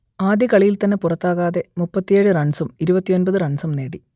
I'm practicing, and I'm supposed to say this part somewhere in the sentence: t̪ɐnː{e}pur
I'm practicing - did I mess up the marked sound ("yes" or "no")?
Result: no